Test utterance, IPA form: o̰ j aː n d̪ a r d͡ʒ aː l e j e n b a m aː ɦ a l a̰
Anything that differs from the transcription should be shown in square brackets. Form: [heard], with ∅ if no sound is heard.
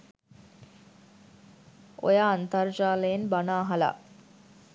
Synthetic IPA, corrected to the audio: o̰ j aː n [t̪] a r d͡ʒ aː l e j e n b a [n] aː ɦ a l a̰